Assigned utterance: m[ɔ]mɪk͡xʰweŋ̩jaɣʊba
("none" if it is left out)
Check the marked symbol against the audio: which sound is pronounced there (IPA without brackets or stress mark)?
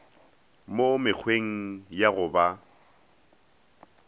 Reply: o